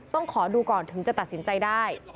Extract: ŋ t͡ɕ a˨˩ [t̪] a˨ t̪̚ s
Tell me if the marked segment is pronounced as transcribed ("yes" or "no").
yes